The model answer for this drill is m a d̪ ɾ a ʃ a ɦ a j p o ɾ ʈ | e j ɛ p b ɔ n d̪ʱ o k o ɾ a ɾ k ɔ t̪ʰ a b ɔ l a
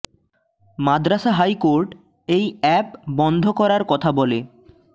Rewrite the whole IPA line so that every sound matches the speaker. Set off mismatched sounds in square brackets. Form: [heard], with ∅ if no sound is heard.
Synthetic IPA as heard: m a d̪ ɾ a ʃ a ɦ a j [k] o ɾ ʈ | e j ɛ p b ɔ n d̪ʱ o k [ɔ] ɾ a ɾ k ɔ t̪ʰ a b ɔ l [e]